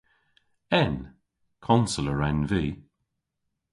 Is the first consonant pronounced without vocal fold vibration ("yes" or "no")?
no